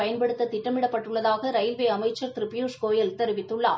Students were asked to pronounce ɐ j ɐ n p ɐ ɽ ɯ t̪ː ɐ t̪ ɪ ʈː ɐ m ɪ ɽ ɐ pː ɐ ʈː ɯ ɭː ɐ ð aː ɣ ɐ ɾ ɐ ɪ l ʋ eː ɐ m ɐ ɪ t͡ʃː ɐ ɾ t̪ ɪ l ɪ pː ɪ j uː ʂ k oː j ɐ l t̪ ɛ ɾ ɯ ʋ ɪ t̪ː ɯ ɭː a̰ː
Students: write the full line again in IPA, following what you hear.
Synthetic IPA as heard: ɐ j ɐ n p ɐ ɽ ɯ t̪ː ɐ t̪ ɪ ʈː ɐ m ɪ ɽ ɐ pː ɐ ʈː ɯ ɭː ɐ ð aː ɣ ɐ ɾ ɐ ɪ l ʋ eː ɐ m ɐ ɪ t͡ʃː ɐ ɾ t̪ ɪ ɾ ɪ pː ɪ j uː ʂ k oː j ɐ l t̪ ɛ ɾ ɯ ʋ ɪ t̪ː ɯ ɭː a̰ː